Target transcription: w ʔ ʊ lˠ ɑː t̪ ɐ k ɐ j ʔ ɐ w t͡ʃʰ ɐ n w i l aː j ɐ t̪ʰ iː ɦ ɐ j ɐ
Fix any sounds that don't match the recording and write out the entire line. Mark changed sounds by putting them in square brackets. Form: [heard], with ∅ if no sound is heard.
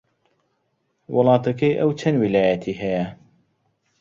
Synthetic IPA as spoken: w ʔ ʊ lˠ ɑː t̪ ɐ k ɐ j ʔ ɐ w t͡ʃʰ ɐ n w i l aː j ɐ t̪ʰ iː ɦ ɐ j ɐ